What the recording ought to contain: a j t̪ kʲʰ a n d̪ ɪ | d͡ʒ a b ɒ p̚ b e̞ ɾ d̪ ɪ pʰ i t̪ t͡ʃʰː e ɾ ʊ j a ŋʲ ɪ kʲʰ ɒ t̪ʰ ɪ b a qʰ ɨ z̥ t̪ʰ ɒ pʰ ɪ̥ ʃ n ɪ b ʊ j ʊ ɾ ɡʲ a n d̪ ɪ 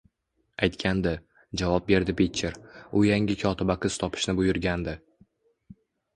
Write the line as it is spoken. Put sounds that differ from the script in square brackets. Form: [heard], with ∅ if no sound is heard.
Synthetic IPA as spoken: a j t̪ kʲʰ a n d̪ ɪ | d͡ʒ a [v] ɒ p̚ b e̞ ɾ d̪ ɪ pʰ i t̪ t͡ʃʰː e ɾ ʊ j a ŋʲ ɪ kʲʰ ɒ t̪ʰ ɪ b a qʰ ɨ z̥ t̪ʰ ɒ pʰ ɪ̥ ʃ n ɪ b ʊ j ʊ ɾ ɡʲ a n d̪ ɪ